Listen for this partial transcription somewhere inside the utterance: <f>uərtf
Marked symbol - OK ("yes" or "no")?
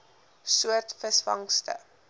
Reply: no